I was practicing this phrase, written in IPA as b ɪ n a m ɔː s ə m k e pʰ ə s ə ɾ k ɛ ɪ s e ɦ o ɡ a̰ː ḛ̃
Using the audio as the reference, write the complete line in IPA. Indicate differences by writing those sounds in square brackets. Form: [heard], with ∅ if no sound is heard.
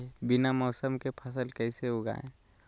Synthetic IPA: b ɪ n a m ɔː s ə m k e pʰ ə s ə [l] k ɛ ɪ s e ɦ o ɡ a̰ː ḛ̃

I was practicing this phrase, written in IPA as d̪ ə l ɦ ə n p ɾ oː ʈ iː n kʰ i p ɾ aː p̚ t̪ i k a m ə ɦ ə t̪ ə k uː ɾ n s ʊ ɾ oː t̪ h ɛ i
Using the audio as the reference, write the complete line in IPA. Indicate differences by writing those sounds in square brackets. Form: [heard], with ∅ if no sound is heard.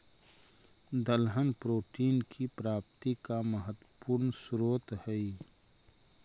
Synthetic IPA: d̪ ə l ɦ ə n p ɾ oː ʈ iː n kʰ i p ɾ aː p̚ t̪ i k a m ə ɦ ə t̪ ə [p] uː ɾ n s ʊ ɾ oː t̪ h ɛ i

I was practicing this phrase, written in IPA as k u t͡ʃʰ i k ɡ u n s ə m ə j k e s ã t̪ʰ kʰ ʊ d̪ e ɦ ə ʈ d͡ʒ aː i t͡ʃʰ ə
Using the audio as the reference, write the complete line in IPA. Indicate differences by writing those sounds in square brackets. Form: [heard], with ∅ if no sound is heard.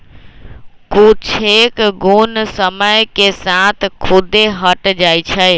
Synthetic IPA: k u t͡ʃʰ [e] k ɡ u n s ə m ə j k e s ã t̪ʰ kʰ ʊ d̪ e ɦ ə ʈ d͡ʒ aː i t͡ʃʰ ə

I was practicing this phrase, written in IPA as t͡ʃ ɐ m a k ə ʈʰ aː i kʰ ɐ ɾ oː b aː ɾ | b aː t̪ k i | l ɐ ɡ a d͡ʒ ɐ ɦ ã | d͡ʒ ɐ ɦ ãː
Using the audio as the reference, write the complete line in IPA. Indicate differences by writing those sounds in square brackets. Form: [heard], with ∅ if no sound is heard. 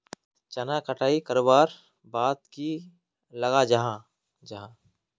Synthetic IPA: t͡ʃ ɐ [n] a k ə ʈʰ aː i [k] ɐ ɾ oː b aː ɾ | b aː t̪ k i | l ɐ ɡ a d͡ʒ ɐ ɦ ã | d͡ʒ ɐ ɦ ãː

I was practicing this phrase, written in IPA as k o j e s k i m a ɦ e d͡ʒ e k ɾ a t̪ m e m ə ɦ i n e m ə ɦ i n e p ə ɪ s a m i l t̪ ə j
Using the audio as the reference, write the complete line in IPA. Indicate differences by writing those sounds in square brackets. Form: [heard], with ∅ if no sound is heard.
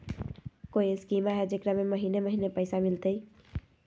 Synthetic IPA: k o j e s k i m a ɦ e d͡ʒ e k ɾ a [∅] m e m ə ɦ i n e m ə ɦ i n e p ə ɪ s a m i l t̪ ə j

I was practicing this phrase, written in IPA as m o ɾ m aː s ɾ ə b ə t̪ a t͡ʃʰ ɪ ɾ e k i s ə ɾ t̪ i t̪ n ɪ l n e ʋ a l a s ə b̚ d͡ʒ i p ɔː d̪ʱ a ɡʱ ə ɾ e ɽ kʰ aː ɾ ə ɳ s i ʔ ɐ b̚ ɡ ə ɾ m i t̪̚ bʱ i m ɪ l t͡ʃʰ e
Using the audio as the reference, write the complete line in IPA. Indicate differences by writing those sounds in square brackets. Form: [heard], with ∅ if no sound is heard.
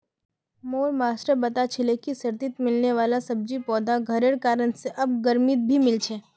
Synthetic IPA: m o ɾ m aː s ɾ ə b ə t̪ a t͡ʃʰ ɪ [l] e k i s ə ɾ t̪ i t̪ [m] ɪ l n e ʋ a l a s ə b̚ d͡ʒ i p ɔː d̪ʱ a ɡʱ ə ɾ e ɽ [k] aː ɾ ə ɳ s [e] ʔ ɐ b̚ ɡ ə ɾ m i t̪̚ bʱ i m ɪ l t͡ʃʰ e

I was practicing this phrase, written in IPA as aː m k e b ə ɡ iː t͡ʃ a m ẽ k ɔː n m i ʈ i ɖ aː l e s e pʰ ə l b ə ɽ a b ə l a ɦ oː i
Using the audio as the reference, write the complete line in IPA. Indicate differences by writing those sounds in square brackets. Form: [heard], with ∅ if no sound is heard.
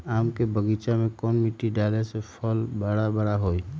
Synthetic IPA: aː m k e b ə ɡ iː t͡ʃ a m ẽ k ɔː n m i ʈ i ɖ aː l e s e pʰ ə l b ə ɽ a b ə [ɽ] a ɦ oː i

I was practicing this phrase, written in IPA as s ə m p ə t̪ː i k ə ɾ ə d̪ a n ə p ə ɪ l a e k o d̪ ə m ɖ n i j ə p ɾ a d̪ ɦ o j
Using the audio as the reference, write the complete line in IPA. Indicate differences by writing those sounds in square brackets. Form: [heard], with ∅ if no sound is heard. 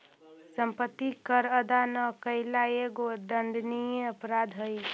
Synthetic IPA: s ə m p ə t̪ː i k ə ɾ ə d̪ a n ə [k] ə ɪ l a e [ɡ] o d̪ ə [ɳ] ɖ n i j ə p ɾ a d̪ ɦ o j

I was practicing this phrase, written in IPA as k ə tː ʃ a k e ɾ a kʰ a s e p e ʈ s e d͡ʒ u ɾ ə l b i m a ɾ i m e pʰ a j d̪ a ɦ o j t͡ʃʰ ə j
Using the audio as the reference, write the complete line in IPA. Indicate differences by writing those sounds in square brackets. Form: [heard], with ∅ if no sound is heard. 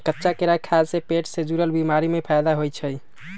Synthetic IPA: k ə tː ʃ a k e ɾ a kʰ a s e p e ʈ s e d͡ʒ u ɾ ə l b i m a ɾ i m e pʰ a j d̪ a ɦ o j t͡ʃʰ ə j

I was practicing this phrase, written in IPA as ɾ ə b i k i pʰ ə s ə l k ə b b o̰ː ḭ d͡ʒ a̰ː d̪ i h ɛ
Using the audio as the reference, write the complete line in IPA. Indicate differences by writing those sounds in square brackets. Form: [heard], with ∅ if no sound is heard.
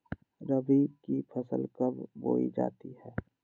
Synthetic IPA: ɾ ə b i k i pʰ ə s ə l k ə b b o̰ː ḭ d͡ʒ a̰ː [t̪] i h [ɛː]

